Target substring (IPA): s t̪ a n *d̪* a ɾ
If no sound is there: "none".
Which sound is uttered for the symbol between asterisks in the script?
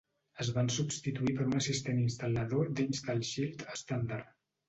d̪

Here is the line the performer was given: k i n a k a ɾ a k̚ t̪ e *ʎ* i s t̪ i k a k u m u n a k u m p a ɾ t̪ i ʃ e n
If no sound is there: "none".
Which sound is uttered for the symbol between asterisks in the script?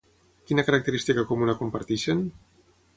ɾ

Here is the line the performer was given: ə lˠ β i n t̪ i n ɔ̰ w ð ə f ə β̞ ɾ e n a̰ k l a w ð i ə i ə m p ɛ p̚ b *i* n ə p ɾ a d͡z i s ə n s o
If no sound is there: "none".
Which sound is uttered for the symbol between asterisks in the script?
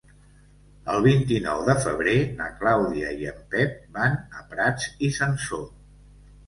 a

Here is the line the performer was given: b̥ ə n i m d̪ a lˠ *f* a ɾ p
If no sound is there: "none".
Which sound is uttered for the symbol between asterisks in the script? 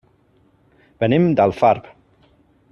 f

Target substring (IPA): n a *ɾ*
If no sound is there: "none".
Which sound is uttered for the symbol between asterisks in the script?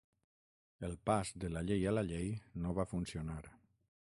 ɾ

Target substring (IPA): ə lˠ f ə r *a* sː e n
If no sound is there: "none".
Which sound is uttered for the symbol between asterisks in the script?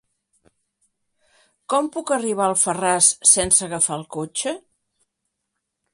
a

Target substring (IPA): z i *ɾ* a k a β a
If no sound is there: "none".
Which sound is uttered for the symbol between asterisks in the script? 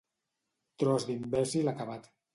l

